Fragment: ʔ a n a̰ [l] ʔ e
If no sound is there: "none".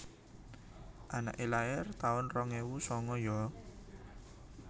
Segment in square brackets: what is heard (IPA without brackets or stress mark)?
none